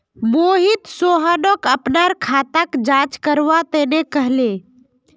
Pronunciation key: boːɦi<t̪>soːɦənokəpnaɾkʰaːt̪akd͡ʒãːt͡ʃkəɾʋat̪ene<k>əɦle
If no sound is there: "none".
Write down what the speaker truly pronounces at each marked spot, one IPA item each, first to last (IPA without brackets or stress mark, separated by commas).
t̪, k